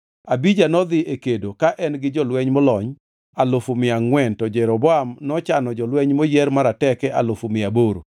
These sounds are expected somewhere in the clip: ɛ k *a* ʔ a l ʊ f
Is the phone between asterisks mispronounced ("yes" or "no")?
yes